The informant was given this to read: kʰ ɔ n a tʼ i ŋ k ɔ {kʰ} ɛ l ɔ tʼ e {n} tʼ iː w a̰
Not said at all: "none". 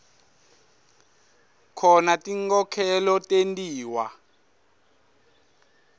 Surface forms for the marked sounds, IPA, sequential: kʰ, n

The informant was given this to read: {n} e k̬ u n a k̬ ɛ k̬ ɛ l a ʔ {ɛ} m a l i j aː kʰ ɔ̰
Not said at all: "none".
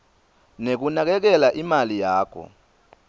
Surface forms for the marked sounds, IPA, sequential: n, i

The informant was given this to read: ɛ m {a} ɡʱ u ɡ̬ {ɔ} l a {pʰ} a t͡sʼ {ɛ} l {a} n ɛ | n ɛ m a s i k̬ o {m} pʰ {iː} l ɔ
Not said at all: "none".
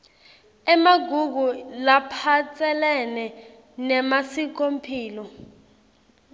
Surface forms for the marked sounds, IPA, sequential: a, u, pʰ, ɛ, ɛ, m, iː

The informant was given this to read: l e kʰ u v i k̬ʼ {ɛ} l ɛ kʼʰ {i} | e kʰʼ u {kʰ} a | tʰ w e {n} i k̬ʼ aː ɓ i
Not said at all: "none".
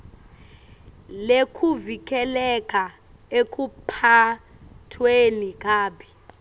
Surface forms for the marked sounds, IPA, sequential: ɛ, a, pʰ, n

